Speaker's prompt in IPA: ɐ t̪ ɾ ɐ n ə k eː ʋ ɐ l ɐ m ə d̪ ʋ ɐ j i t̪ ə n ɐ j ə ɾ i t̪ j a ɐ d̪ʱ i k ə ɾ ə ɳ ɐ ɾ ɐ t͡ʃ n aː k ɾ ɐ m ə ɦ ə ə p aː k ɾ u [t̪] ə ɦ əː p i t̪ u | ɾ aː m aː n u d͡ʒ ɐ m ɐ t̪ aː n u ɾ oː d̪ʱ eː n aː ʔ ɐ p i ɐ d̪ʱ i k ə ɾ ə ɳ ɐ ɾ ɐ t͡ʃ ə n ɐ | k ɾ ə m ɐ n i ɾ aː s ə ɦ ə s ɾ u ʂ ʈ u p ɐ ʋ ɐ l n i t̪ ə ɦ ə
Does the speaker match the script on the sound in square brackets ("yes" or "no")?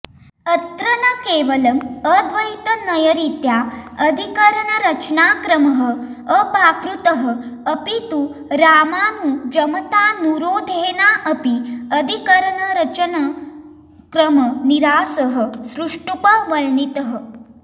yes